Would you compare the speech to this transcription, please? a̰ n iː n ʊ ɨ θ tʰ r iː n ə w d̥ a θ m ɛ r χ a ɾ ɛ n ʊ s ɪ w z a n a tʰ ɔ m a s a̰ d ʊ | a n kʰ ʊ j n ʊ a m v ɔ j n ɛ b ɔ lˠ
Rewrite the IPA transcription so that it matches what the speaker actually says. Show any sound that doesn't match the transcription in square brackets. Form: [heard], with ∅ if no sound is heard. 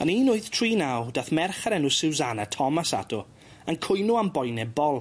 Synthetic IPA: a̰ n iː n ʊ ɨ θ tʰ r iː n [a] w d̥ a θ m ɛ r χ a ɾ ɛ n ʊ s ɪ w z a n a tʰ ɔ m a s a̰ d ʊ | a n kʰ ʊ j n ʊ a m [b] ɔ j n ɛ b ɔ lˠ

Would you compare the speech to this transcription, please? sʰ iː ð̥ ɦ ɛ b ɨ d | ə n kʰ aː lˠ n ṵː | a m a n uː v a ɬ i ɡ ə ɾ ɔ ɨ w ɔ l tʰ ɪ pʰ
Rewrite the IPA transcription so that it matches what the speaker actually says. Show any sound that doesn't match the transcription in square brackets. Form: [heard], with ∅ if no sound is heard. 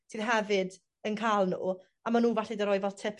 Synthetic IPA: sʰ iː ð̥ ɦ ɛ [v] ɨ d | ə n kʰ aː lˠ n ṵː | a m a n uː v a ɬ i [d] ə ɾ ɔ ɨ [v] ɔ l tʰ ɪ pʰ

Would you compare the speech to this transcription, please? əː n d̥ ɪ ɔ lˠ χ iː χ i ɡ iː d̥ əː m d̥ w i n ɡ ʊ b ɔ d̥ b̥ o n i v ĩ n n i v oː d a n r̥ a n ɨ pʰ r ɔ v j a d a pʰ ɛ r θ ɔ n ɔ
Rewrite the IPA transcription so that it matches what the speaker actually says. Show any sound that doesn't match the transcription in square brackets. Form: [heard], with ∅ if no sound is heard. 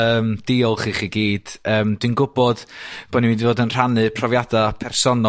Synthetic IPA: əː [m] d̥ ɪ ɔ lˠ χ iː χ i ɡ iː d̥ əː m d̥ w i n ɡ ʊ b ɔ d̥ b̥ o n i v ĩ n [d] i v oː d [ə] n r̥ a n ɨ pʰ r ɔ v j a d a pʰ ɛ r [s] ɔ n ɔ

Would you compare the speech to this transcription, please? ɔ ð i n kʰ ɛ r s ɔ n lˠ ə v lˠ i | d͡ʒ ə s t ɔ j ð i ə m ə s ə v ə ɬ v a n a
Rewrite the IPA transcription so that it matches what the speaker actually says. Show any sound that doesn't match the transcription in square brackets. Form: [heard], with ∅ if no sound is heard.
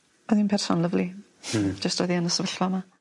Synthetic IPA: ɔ ð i n [pʰ] ɛ r s ɔ n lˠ ə v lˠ i | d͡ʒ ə s t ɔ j ð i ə [n] ə s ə v ə ɬ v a [m] a

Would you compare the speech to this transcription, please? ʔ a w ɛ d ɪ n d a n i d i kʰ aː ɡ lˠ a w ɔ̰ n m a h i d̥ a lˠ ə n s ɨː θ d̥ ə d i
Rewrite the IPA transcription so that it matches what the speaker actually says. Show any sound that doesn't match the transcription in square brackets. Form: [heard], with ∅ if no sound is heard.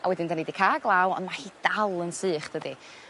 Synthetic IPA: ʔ a w ɛ d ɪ n d a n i d i kʰ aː ɡ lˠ a w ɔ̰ n m a h i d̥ a lˠ ə n s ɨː [χ] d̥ ə d i

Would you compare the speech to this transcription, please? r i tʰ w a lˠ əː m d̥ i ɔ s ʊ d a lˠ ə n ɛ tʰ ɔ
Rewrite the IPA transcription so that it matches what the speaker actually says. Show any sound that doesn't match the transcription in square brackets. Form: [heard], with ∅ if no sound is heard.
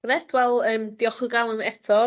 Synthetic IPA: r [ɛ] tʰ w [ɛ] lˠ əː m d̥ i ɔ [χ] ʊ [ɡ] a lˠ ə n ɛ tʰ ɔ

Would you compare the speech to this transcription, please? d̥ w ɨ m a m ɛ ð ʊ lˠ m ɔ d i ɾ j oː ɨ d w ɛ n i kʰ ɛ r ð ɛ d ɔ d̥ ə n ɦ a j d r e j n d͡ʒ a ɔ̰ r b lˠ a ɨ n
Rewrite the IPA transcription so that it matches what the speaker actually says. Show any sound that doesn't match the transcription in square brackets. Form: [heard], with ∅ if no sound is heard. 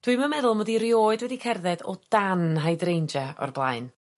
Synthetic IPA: d̥ w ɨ m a m ɛ ð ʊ lˠ m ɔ d i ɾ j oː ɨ d w ɛ [d] i kʰ ɛ r ð ɛ d ɔ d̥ [a] n ɦ a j d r e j n d͡ʒ a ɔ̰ r b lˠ a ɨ n

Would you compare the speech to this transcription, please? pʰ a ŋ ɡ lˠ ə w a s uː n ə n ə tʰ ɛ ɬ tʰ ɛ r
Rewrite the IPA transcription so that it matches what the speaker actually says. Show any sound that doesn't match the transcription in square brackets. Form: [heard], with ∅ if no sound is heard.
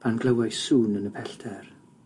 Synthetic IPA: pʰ a [n] ɡ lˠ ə w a s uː n ə n ə [pʰ] ɛ ɬ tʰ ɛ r

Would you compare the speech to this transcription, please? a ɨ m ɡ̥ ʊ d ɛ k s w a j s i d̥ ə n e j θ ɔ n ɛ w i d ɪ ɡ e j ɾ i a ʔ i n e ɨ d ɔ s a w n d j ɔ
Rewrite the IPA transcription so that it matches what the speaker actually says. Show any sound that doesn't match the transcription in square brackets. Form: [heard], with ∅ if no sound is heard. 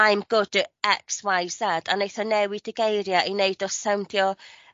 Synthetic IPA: a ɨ m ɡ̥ ʊ d ɛ k s w a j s [a] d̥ [a] n e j θ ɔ n ɛ w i d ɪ ɡ e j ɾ [j] a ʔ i n e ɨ d ɔ s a w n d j ɔ

